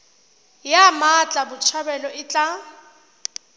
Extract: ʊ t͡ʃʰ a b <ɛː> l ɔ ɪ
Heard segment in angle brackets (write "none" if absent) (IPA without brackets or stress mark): ɛ